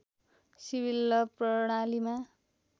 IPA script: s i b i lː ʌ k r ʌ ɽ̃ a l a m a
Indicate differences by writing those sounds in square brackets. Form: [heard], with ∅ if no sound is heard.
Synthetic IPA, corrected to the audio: s i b i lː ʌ [p] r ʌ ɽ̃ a l [i] m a

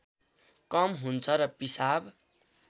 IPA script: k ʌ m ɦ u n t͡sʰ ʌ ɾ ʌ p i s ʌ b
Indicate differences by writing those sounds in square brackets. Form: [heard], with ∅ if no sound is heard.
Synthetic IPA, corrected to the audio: k ʌ m ɦ u n t͡sʰ ʌ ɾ ʌ p i s [a] b

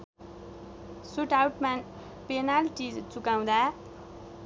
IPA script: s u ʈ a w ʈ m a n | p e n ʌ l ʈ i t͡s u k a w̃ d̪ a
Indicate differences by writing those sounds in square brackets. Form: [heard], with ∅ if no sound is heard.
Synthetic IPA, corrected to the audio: s u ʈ a w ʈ m a n | p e n [a] l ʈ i t͡s u k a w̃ d̪ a

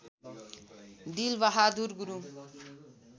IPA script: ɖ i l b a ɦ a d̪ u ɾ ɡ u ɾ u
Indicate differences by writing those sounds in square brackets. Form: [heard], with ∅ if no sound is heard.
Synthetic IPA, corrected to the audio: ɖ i l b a ɦ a d̪ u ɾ ɡ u ɾ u

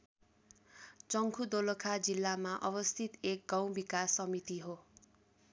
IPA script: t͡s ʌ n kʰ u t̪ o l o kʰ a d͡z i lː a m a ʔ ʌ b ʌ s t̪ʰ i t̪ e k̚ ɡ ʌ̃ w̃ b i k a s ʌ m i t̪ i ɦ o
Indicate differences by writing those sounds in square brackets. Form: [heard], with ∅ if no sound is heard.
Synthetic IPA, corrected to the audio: t͡s ʌ [ŋ] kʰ u [d̪] o l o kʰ a d͡z i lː a m a ʔ ʌ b ʌ s t̪ʰ i t̪ e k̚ ɡ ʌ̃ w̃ b i k a s ʌ m i t̪ i ɦ o

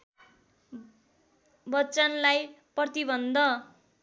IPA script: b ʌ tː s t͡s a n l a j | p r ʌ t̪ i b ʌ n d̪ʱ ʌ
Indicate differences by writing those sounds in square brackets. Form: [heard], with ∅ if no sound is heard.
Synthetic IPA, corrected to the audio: b ʌ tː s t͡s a n l a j | p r ʌ t̪ i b ʌ n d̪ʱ ʌ

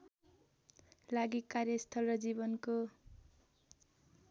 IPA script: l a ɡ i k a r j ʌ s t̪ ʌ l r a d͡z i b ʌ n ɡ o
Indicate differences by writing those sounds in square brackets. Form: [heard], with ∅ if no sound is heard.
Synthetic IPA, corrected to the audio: l a ɡ i k a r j ʌ s [t̪ʰ] ʌ l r [ʌ] d͡z i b ʌ n [k] o

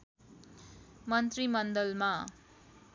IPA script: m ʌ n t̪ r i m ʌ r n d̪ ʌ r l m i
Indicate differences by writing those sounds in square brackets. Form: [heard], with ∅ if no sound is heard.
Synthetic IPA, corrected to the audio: m ʌ n t̪ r i m ʌ [∅] n d̪ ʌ [∅] l m [a]

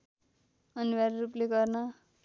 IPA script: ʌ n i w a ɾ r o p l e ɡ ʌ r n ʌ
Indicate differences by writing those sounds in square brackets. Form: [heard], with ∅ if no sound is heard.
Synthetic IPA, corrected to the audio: ʌ n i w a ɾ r [u] p l e ɡ ʌ r n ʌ

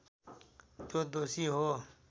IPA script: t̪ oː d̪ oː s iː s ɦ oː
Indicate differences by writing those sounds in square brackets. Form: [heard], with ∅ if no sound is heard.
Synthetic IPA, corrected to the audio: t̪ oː d̪ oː s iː [∅] ɦ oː

